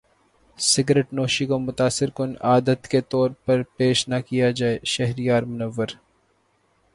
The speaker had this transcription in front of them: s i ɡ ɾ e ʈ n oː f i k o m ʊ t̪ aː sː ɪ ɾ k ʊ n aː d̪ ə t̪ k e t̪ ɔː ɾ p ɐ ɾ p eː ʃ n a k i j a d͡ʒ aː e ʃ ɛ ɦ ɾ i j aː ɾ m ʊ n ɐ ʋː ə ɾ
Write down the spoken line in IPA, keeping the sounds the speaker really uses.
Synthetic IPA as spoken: s ɪ ɡ ɾ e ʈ n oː ʃ i k o m ʊ t̪ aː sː ɪ ɾ k ʊ n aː d̪ ə t̪ k e t̪ ɔː ɾ p ɐ ɾ p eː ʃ n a k i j a d͡ʒ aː e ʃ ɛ ɦ ɾ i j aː ɾ m ʊ n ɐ ʋː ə ɾ